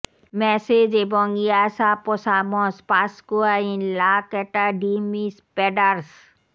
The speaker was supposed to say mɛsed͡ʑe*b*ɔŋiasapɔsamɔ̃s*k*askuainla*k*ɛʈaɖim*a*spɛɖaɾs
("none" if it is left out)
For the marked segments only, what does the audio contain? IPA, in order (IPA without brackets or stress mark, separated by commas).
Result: b, p, k, i